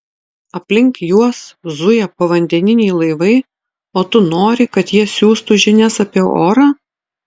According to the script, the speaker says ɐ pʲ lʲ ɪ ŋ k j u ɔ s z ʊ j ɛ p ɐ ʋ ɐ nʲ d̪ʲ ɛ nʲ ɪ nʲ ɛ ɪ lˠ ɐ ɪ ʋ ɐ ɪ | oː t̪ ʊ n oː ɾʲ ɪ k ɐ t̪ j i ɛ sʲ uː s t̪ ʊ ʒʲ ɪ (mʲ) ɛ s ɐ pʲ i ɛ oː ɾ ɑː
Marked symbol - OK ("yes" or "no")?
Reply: no